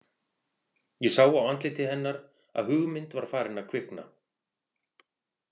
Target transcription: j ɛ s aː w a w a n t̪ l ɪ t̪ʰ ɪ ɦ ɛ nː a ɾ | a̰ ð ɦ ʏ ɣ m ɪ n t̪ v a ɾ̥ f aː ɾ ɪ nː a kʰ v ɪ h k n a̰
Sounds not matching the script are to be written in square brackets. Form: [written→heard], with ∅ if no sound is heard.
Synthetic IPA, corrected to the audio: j ɛ s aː w a w a n t̪ l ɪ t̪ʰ ɪ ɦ ɛ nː a ɾ | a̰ ð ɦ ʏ ɣ m ɪ n t̪ v a ɾ̥ f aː ɾ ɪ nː a kʰ v ɪ h k n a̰